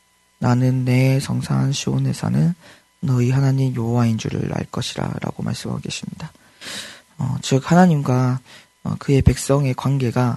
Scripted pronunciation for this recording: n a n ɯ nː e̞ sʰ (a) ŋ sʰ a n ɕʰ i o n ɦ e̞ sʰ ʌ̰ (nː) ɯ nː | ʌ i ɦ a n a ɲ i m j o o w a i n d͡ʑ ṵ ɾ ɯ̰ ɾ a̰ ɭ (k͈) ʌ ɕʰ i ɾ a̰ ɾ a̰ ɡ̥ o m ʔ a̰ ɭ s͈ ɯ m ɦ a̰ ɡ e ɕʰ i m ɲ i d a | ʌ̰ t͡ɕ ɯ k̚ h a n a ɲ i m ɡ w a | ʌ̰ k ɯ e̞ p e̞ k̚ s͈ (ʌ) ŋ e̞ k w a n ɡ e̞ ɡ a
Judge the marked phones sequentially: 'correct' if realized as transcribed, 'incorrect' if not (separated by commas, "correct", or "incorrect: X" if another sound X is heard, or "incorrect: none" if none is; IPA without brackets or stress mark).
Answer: incorrect: ʌ, incorrect: n, correct, correct